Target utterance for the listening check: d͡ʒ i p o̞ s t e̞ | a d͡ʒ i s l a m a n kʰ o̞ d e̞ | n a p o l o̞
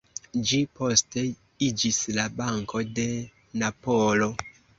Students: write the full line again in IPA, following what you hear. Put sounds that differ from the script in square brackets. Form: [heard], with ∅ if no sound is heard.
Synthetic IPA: d͡ʒ i p o̞ s t e̞ | [i] d͡ʒ i s l a [b] a [ŋ] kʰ o̞ d e̞ | n a p o l o̞

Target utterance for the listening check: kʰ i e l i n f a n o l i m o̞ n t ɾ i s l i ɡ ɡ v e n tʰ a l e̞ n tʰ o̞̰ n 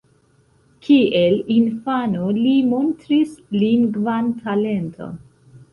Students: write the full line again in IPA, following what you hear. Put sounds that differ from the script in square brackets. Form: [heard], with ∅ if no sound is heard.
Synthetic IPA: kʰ i e l i n f a n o l i m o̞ n t ɾ i s l i [ŋ] ɡ v [a] n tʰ a l e̞ n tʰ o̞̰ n

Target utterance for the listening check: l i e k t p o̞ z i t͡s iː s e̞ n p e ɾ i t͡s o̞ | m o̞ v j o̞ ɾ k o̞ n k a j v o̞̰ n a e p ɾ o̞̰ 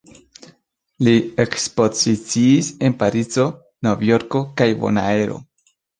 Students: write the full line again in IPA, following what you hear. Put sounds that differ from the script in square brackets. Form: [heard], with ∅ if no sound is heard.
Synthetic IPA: l i e k [s] p o̞ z i t͡s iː s e̞ n p [a] ɾ i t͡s o̞ | [n] o̞ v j o̞ ɾ k o̞ [∅] k a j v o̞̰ n a e [∅] ɾ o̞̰

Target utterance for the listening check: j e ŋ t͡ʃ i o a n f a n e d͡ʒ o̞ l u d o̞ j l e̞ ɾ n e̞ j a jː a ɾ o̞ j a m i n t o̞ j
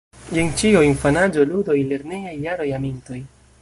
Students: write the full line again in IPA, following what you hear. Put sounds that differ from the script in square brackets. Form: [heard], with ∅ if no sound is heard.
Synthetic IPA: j e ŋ t͡ʃ i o [i] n f a n [a] d͡ʒ o̞ l u d o̞ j l e̞ ɾ n e̞ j a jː a ɾ o̞ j a m i n t o̞ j

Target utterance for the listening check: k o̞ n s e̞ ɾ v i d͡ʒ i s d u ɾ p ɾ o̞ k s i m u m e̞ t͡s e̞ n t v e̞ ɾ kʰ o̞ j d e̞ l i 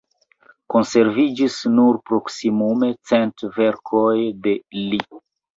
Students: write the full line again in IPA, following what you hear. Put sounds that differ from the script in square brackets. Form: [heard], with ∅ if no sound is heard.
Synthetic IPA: k o̞ n s e̞ ɾ v i d͡ʒ i s [n] u ɾ p ɾ o̞ k s i m u m e̞ t͡s e̞ n t v e̞ ɾ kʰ o̞ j d e̞ l i

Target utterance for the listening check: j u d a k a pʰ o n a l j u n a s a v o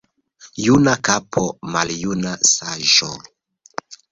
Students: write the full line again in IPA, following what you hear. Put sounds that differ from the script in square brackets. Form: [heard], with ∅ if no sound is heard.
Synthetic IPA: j u [n] a k a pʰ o [m] a l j u n a s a [ʒ] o

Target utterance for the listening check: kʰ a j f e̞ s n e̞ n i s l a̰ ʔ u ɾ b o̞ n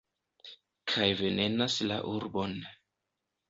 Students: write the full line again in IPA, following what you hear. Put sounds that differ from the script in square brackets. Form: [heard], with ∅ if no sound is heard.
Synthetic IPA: kʰ a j [v] e̞ [∅] n e̞ n [a] s l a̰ ʔ u ɾ b o̞ n

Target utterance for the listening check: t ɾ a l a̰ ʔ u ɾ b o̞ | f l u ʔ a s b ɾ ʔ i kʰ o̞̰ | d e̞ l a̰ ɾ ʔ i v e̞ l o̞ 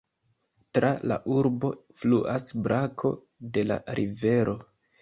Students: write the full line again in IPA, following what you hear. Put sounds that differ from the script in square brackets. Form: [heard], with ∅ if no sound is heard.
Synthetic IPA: t ɾ a l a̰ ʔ u ɾ b o̞ | f l u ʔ a s b ɾ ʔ [a] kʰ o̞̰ | d e̞ l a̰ ɾ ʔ i v e̞ [ɾ] o̞

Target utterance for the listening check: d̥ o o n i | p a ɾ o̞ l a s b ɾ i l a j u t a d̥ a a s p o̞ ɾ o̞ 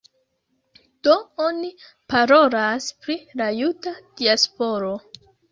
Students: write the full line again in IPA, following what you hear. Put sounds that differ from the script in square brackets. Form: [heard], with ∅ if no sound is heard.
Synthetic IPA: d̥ o o n i | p a ɾ o̞ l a s [p] ɾ i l a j u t a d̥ [i] a s p o̞ ɾ o̞

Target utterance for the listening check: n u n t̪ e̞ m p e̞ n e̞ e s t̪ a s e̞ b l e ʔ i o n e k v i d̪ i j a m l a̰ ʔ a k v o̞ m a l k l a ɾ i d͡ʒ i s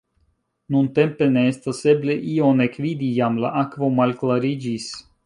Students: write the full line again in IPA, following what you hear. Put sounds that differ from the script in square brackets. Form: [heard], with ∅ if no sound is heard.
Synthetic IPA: n u n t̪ e̞ m p e̞ n e̞ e s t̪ a s e̞ b l e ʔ i o n e k v i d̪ i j a m l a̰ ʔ a k v o̞ m a l k l a ɾ i d͡ʒ i s

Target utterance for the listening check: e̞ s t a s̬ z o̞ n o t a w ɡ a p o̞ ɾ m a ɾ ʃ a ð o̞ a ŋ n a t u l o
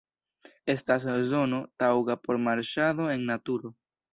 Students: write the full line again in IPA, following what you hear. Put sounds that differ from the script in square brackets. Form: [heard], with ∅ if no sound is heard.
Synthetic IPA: e̞ s t a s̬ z o̞ n o t a w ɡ a p o̞ ɾ m a ɾ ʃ a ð o̞ [e] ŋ n a t u [ɾ] o

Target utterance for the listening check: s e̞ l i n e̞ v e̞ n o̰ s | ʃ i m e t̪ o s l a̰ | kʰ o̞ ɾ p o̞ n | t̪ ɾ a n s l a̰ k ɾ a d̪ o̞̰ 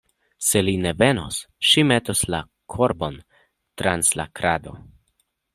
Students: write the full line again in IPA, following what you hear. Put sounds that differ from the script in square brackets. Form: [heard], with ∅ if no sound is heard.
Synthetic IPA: s e̞ l i n e̞ v e̞ n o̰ s | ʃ i m e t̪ o s l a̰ | kʰ o̞ ɾ [b] o̞ n | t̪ ɾ a n s l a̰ k ɾ a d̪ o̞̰

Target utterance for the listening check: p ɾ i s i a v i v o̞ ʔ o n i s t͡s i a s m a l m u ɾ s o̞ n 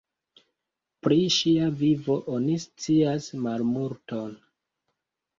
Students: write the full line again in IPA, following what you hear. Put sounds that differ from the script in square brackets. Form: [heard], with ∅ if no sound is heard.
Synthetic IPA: p ɾ i [ʃ] i a v i v o̞ ʔ o n i s t͡s i a s m a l m u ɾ [t] o̞ n

